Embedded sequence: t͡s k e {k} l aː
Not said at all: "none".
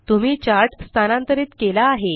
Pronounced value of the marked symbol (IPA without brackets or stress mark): none